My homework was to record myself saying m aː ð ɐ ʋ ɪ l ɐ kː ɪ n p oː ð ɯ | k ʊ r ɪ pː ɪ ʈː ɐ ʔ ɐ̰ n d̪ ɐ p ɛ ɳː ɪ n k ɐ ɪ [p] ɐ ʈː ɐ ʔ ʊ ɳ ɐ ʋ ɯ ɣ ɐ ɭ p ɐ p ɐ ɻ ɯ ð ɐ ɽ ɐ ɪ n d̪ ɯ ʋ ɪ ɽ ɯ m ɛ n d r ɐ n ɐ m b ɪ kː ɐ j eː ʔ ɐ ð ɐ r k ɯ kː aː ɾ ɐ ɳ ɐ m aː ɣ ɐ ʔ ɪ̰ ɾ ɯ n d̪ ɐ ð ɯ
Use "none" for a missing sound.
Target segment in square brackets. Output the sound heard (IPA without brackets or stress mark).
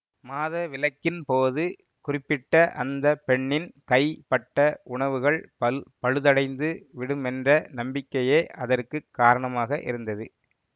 p